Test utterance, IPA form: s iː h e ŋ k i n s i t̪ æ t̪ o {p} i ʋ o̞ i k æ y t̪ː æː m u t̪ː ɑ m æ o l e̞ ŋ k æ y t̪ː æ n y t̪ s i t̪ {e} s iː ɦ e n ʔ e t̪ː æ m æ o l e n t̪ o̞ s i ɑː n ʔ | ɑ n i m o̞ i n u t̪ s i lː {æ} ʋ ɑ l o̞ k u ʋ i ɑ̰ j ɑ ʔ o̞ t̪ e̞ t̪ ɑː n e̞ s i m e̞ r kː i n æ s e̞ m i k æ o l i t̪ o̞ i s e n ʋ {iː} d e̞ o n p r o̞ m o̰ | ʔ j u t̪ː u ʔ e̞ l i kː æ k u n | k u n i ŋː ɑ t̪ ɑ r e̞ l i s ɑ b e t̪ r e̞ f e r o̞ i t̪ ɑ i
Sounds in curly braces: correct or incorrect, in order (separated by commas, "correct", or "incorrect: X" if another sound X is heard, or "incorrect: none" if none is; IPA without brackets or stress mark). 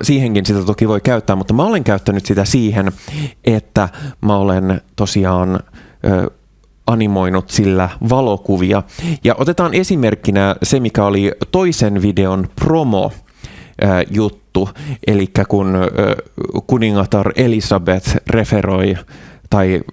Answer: incorrect: k, incorrect: æ, correct, incorrect: i